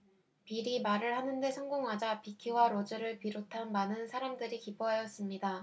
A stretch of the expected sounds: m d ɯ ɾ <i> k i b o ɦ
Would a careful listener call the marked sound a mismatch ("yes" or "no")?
no